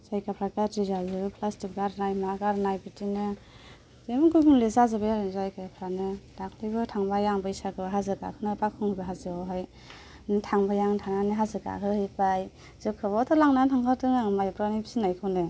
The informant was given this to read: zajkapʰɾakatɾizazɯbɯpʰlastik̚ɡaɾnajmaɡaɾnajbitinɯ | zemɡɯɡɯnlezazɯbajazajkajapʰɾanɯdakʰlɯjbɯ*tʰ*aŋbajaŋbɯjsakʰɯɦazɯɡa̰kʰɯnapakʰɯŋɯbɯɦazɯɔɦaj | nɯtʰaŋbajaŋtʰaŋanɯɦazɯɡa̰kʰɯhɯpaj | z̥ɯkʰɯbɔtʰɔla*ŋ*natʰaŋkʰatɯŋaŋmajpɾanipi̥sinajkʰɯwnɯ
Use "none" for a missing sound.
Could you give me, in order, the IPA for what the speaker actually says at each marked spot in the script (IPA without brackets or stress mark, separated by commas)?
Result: tʰ, ŋ